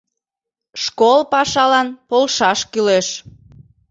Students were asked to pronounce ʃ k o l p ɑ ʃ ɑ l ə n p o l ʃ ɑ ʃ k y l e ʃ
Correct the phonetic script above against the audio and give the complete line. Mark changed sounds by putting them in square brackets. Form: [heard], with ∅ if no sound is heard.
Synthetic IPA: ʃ k o l p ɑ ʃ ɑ l [ɑ] n p o l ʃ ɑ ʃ k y l e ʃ